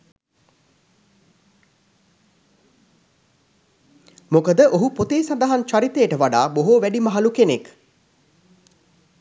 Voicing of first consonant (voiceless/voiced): voiced